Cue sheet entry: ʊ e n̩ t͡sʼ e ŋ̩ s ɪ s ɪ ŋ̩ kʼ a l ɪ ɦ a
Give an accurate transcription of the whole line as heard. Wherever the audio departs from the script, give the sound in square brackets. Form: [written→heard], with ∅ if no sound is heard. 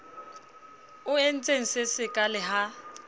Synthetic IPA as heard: ʊ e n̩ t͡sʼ e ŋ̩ s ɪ s ɪ [ŋ̩→∅] kʼ a l ɪ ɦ a